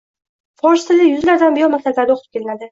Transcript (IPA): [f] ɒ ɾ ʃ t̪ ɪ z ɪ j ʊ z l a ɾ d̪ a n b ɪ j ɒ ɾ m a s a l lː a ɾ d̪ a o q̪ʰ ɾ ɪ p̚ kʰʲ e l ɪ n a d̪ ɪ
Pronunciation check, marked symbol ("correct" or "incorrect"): correct